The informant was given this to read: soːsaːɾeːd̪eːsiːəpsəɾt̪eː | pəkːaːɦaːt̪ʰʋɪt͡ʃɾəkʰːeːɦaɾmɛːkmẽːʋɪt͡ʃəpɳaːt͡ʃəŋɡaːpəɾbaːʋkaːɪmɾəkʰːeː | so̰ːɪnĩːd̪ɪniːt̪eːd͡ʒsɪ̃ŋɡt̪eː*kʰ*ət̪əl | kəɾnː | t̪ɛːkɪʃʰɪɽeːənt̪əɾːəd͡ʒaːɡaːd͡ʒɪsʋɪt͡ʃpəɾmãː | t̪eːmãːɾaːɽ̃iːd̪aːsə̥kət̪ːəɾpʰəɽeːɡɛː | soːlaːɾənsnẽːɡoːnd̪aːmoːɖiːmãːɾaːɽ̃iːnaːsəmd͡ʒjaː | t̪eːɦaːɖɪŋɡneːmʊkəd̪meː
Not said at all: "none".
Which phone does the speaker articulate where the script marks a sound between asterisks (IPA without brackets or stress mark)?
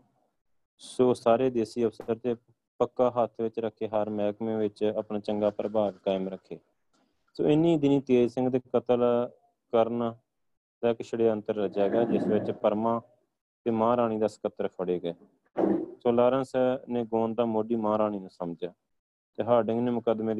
k